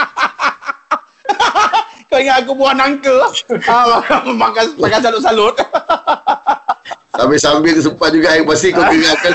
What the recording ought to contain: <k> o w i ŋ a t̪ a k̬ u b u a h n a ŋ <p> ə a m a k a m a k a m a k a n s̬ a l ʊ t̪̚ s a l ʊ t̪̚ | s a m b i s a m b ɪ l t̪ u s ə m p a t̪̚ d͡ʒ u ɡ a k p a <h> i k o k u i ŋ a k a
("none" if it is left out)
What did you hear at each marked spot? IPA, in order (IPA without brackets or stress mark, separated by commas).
k, k, s